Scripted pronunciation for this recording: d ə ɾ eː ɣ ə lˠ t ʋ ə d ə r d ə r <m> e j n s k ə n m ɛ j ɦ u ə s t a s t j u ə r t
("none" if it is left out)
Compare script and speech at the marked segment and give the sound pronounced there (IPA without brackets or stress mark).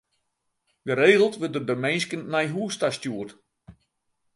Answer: m